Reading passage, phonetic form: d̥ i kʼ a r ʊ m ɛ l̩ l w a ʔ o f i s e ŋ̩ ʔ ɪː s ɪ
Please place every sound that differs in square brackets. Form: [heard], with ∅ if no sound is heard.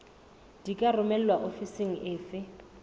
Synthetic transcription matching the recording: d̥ i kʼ a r ʊ m ɛ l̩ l w a ʔ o f i s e ŋ̩ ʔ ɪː [f] ɪ